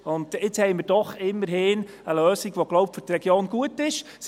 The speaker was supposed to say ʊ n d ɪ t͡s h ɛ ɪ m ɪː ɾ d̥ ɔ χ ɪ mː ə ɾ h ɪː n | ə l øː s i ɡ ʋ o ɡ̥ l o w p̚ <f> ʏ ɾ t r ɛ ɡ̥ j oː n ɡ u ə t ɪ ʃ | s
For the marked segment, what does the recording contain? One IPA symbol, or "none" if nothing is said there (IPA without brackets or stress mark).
f